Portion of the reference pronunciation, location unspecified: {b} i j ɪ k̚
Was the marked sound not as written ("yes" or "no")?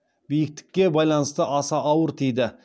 no